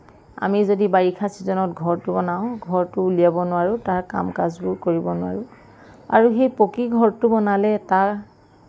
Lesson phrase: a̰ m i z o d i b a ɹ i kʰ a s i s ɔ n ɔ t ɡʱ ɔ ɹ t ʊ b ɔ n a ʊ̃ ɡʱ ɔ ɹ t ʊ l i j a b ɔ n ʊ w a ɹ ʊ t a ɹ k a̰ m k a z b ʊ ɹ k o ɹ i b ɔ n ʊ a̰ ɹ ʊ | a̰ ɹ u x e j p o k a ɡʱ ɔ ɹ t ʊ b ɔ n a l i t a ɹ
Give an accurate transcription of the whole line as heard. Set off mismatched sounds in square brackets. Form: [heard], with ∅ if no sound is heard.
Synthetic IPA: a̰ m i z o d i b a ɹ i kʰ a s i [z] ɔ n ɔ t ɡʱ ɔ ɹ t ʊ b ɔ n a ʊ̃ ɡʱ ɔ ɹ t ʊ l i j a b ɔ n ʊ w a ɹ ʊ t a ɹ k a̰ m k a z b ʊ ɹ k o ɹ i b ɔ n ʊ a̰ ɹ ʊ | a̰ ɹ u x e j p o k [i] ɡʱ ɔ ɹ t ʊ b ɔ n a l [ɛ] t a ɹ

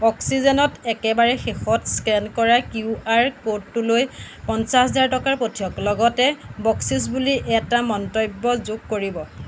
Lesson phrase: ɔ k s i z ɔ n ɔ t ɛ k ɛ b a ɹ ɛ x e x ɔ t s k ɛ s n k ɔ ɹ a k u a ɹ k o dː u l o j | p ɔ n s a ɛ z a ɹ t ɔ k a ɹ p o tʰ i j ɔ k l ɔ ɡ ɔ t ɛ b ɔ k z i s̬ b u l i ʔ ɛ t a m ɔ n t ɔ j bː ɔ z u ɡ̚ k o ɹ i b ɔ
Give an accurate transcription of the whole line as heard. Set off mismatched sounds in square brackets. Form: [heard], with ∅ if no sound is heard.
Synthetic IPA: ɔ k s i z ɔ n ɔ t ɛ k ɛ b a ɹ ɛ x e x ɔ t s k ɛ [∅] n k ɔ ɹ a k u a ɹ k o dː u l o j | p ɔ n s a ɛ z a ɹ t ɔ k a ɹ p o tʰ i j ɔ k l ɔ ɡ ɔ t ɛ b ɔ k [s] i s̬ b u l i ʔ ɛ t a m ɔ n t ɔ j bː ɔ z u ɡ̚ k o ɹ i b ɔ

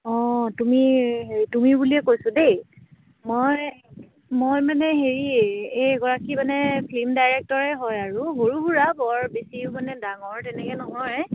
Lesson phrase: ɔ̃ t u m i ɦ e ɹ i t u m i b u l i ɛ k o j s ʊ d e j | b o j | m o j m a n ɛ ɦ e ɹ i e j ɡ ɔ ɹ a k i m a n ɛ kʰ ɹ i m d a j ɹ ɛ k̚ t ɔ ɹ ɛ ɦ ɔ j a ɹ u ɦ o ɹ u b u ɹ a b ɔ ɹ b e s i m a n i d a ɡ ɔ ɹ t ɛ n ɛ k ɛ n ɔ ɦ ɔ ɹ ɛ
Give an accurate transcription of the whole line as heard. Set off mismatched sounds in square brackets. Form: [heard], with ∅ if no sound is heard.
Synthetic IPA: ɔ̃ t u m i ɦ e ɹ i t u m i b u l i ɛ k o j s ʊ d e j | [m] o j | m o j m a n ɛ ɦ e ɹ i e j ɡ ɔ ɹ a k i m a n ɛ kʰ [l] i m d a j ɹ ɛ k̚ t ɔ ɹ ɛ ɦ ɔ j a ɹ u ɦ o ɹ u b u ɹ a b ɔ ɹ b e s i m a n [ɛ] d a [ŋ] ɔ ɹ t ɛ n ɛ k ɛ n ɔ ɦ ɔ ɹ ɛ

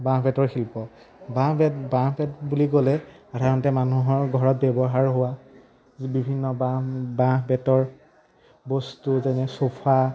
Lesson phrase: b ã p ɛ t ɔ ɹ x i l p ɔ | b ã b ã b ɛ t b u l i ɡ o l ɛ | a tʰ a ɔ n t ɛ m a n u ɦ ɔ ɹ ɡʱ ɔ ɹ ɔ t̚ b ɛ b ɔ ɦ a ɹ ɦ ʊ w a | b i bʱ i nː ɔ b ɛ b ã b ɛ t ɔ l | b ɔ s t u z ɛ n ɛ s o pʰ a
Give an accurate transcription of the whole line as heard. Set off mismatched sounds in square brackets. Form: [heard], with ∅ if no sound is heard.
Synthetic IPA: b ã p ɛ t ɔ ɹ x i l p ɔ | b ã b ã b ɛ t b u l i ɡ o l ɛ | a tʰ a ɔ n t ɛ m a n u ɦ ɔ ɹ ɡʱ ɔ ɹ ɔ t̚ b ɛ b ɔ ɦ a ɹ ɦ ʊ w a | b i bʱ i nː ɔ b [a] b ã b ɛ t ɔ [ɹ] | b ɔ s t u z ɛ n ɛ s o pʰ a

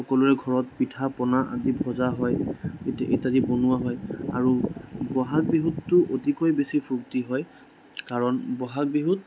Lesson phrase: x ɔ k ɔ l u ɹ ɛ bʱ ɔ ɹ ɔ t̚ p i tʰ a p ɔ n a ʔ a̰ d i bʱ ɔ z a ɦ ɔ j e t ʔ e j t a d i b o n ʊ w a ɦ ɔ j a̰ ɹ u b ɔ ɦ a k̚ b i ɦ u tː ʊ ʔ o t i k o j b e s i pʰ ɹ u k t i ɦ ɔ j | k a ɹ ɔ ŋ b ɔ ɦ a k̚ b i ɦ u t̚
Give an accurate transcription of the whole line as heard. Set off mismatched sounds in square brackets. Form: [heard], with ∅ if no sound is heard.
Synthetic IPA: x ɔ k ɔ l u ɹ ɛ [ɡʱ] ɔ ɹ ɔ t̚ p i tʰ a p ɔ n a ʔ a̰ d i bʱ ɔ z a ɦ ɔ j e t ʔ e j t a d i b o n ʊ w a ɦ ɔ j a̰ ɹ u b ɔ ɦ a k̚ b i ɦ u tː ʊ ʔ o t i k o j b e s i pʰ ɹ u k t i ɦ ɔ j | k a ɹ ɔ [n] b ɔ ɦ a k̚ b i ɦ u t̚

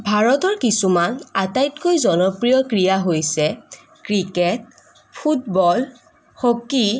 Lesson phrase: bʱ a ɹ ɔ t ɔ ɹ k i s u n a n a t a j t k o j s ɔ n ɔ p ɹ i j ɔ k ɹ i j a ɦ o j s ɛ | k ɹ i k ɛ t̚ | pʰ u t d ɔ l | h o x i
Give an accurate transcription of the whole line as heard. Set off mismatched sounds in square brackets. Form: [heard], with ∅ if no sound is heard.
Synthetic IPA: bʱ a ɹ ɔ t ɔ ɹ k i s u [m] a n a t a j t k o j [z] ɔ n ɔ p ɹ i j ɔ k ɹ i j a ɦ o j s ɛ | k ɹ i k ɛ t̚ | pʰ u t [b] ɔ l | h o [k] i

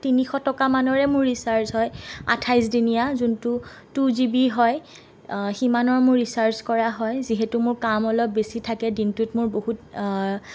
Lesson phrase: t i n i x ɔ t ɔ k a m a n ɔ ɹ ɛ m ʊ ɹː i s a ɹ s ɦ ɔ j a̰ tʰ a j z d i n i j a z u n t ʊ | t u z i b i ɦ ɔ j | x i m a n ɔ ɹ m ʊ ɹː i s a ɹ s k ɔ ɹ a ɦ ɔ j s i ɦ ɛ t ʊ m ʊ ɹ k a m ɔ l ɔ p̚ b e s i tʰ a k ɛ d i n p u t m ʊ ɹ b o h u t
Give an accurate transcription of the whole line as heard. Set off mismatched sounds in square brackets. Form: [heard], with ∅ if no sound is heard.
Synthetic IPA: t i n i x ɔ t ɔ k a m a n ɔ ɹ ɛ m ʊ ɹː i s a ɹ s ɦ ɔ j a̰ tʰ a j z d i n i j a z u n t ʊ | t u z i b i ɦ ɔ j | x i m a n ɔ ɹ m ʊ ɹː i s a ɹ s k ɔ ɹ a ɦ ɔ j [z] i ɦ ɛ t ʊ m ʊ ɹ k a m ɔ l ɔ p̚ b e s i tʰ a k ɛ d i n [t] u t m ʊ ɹ b o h u t

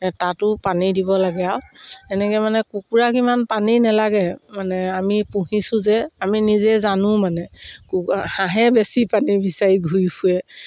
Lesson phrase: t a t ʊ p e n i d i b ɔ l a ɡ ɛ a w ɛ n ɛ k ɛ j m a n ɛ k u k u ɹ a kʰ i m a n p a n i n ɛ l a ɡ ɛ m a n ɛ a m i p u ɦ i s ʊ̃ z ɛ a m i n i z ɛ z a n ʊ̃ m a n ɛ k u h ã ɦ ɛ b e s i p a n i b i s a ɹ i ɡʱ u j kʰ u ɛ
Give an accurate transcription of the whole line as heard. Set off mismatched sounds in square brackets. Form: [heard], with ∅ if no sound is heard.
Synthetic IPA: t a t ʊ p [a] n i d i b ɔ l a ɡ ɛ a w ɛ n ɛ k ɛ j m a n ɛ k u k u ɹ a [k] i m a n p a n i n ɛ l a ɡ ɛ m a n ɛ a m i p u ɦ i s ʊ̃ z ɛ a m i n i z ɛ z a n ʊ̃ m a n ɛ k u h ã ɦ ɛ b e s i p a n i b i s a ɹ i ɡʱ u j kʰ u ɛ

